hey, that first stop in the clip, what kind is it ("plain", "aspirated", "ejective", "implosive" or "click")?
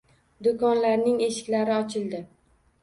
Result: plain